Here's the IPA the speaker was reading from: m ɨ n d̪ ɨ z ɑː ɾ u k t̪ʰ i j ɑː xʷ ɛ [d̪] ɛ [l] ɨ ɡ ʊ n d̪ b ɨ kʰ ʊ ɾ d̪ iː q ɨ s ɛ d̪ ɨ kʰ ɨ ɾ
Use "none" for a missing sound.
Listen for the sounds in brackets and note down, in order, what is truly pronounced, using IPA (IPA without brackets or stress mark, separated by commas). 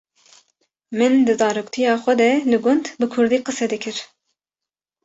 d̪, l